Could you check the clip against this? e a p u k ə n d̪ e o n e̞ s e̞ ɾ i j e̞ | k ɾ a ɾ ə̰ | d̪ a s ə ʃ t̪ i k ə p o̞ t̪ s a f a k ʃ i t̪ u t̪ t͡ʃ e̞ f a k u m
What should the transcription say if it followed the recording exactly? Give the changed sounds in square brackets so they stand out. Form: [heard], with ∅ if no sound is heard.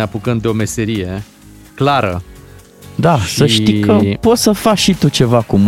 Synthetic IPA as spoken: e a p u k ə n d̪ e o [m] e̞ s e̞ ɾ i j e̞ | k [l] a ɾ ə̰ | d̪ a s ə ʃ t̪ i k ə p o̞ t̪ s [ə] f a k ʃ i t̪ u [∅] t͡ʃ e̞ [v] a k u m